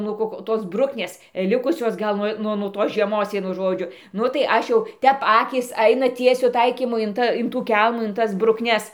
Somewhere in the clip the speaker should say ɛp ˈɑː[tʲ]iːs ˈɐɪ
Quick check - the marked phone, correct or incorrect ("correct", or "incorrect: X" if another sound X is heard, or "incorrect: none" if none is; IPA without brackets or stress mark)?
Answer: incorrect: kʲ